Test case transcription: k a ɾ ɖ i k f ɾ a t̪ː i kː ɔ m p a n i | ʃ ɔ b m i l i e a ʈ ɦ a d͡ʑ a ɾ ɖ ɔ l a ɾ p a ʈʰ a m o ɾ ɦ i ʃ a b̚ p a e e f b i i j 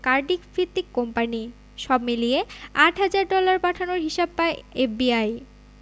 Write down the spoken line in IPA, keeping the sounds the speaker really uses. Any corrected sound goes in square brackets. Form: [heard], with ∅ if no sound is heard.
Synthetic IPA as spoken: k a ɾ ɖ i k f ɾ [i] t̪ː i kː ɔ m p a n i | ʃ ɔ b m i l i e a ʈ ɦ a d͡ʑ a ɾ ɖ ɔ l a ɾ p a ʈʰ a [n] o ɾ ɦ i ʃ a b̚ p a e e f b i [a] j